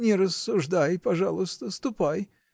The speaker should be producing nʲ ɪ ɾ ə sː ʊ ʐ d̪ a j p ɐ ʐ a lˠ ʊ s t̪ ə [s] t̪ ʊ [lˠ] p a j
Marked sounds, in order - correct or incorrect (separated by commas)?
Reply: correct, incorrect